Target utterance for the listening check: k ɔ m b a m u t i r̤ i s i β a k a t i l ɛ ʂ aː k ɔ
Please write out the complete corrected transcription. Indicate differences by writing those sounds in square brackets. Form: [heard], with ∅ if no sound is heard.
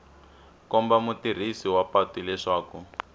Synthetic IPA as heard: k ɔ m b a m u t i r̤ i s i [w] a [p] a t i l ɛ ʂ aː k [u]

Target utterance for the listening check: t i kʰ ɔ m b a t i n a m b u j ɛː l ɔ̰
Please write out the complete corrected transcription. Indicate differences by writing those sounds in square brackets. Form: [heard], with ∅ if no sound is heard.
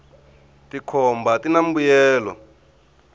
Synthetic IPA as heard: t i kʰ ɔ m b a t i n a m b u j ɛː l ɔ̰

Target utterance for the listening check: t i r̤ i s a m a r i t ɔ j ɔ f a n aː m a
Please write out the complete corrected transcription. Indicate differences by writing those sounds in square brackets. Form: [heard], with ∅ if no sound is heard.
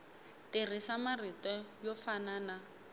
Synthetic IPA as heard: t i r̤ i s a m a r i t ɔ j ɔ f a n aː [n] a

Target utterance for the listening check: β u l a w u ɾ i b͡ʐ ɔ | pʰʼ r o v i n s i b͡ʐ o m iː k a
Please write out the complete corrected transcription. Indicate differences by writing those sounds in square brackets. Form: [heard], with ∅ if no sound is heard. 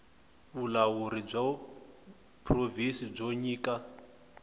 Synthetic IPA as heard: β u l a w u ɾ i b͡ʐ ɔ | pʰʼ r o v i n s i b͡ʐ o [ɲ] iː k a

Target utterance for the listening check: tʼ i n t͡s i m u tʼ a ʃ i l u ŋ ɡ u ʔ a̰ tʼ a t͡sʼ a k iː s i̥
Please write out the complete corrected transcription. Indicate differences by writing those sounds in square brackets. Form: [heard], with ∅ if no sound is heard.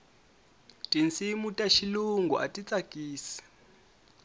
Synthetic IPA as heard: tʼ i n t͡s i m u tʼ a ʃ i l u ŋ ɡ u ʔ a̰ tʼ [i] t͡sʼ a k iː s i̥

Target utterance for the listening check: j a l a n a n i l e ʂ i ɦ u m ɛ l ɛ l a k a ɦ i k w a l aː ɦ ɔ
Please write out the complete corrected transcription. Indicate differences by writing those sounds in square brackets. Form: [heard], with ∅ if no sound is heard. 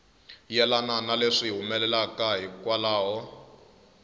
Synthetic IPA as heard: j [ɛ] l a n a n [a] l e ʂ i ɦ u m ɛ l ɛ l a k a ɦ i k w a l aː ɦ ɔ

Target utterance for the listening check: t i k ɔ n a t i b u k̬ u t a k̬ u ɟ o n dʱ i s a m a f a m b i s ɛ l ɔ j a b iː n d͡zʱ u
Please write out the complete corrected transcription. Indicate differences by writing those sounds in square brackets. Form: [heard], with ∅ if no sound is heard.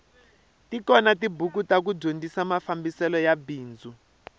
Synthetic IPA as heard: t i k ɔ n a t i b u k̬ u t a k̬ u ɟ o n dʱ i s a m a f a m b i s ɛ l ɔ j a b iː n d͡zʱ u

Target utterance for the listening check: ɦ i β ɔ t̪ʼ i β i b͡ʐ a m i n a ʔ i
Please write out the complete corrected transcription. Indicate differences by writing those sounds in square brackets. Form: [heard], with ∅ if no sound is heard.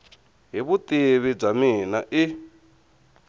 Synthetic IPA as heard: ɦ i β [u] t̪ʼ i β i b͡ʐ a m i n a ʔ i

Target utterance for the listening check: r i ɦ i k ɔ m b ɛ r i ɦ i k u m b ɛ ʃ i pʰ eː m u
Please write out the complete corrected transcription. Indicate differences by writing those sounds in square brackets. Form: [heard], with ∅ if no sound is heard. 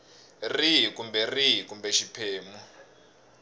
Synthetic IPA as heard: r i ɦ i k [u] m b ɛ r i ɦ i k u m b ɛ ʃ i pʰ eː m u

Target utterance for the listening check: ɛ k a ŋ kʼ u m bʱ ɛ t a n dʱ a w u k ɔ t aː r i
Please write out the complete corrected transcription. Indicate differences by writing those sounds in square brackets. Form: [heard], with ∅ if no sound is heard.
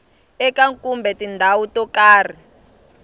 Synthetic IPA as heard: ɛ k a ŋ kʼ u m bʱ ɛ t [i] n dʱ a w u [t] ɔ [k] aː r i

